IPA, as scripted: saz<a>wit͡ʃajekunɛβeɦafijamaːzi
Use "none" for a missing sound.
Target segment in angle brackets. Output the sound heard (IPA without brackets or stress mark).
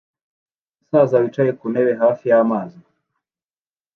a